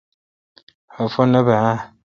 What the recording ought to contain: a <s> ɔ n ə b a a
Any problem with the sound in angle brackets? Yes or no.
yes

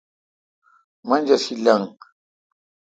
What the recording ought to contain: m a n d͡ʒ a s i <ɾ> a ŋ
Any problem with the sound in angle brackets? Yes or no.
yes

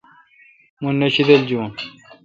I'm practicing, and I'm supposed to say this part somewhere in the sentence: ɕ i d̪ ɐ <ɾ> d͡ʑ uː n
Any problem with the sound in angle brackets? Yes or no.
yes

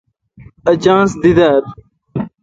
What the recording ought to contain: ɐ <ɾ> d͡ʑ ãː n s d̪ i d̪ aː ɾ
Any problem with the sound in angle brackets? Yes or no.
yes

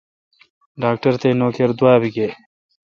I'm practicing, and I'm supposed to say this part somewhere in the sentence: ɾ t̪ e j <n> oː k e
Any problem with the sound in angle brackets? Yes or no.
no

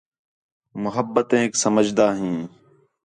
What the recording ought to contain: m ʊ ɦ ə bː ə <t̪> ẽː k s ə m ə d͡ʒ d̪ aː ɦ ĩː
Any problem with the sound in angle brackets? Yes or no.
no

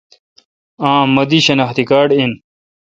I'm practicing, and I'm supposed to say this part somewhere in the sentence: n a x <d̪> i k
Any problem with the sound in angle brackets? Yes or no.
yes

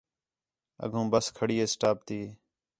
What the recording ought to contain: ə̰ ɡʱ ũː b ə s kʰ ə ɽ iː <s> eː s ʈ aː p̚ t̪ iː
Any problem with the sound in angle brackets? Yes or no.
yes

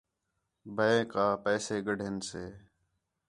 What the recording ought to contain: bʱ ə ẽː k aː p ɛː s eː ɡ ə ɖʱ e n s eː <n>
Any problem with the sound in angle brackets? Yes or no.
yes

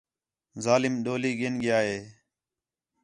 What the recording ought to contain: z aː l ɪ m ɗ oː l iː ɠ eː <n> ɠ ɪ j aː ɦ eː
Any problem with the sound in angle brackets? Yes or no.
no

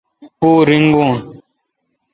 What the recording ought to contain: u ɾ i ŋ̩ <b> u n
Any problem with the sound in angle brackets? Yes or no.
yes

